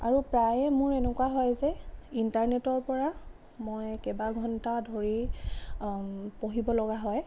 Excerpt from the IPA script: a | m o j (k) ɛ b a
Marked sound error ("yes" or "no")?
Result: no